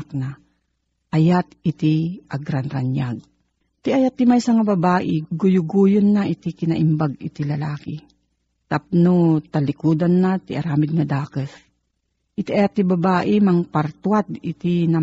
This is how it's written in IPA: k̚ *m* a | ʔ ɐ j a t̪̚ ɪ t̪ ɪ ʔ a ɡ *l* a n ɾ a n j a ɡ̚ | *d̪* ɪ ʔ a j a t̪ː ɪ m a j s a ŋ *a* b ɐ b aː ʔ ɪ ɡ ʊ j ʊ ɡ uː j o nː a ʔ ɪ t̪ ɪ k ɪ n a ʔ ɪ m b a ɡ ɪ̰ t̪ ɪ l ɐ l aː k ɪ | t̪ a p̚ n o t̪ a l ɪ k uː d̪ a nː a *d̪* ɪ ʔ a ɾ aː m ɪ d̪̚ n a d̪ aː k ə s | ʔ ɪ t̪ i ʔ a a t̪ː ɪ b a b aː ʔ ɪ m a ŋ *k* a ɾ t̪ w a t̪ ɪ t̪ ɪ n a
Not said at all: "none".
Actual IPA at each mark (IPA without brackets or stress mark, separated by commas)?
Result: n, ɾ, t̪, a, t̪, p